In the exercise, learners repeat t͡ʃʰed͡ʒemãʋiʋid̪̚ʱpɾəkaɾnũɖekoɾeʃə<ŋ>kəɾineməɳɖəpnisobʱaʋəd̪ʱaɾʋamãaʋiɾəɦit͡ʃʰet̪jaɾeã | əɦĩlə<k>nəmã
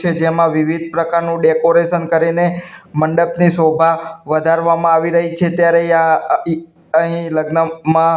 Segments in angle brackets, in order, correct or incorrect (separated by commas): incorrect, incorrect